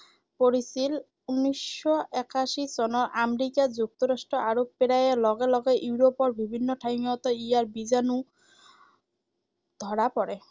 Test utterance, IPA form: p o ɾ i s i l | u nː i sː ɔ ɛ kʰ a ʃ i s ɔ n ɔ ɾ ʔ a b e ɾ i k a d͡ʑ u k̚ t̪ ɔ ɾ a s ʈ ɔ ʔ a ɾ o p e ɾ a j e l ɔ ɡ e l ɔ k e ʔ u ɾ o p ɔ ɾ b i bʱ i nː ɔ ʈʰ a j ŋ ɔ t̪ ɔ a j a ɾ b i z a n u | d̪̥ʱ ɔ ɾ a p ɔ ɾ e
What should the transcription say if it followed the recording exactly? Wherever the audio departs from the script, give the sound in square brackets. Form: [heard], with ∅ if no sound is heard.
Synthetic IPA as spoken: p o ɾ i s i l | u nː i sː ɔ ɛ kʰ a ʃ i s ɔ n ɔ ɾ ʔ a [m] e ɾ i k a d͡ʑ u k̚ t̪ ɔ ɾ a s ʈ ɔ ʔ a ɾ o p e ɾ a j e l ɔ ɡ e l ɔ [ɡ] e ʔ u ɾ o p ɔ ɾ b i bʱ i nː ɔ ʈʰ a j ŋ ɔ t̪ ɔ [i] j a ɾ b i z a n u | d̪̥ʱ ɔ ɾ a p ɔ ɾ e

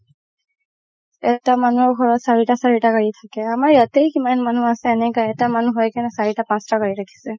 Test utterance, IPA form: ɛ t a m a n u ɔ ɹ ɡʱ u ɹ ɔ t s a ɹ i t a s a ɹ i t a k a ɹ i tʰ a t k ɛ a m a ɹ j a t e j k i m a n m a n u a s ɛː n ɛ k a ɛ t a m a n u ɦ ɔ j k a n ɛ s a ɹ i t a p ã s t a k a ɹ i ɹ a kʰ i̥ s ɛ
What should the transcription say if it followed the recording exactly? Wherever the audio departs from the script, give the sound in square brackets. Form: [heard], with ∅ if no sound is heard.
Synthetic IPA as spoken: ɛ t a m a n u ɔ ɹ ɡʱ [ɔ] ɹ ɔ t s a ɹ i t a s a ɹ i t a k a ɹ i tʰ a [∅] k ɛ a m a ɹ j a t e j k i m a n m a n u a s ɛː n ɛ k a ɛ t a m a n u ɦ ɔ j k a n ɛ s a ɹ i t a p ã s t a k a ɹ i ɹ a kʰ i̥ s ɛ

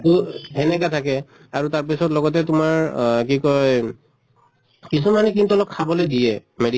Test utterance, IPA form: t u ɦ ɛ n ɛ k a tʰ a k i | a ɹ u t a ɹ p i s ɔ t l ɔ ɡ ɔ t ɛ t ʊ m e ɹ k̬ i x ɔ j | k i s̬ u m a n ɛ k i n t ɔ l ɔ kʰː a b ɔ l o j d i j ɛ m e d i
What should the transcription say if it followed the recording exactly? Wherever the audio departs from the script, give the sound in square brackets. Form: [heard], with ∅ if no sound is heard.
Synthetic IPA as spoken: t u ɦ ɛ n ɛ k a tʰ a k [ɛ] | a ɹ u t a ɹ p i s ɔ t l ɔ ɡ ɔ t ɛ t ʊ m [a] ɹ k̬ i [k] ɔ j | k i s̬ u m a n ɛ k i n t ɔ l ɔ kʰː a b ɔ l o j d i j ɛ m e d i

